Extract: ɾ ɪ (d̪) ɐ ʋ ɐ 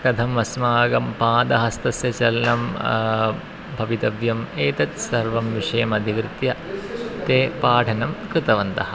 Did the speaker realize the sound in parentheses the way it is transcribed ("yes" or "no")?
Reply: no